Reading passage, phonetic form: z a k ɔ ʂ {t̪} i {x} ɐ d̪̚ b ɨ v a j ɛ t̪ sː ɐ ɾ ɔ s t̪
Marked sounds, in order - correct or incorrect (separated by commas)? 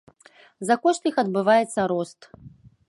correct, correct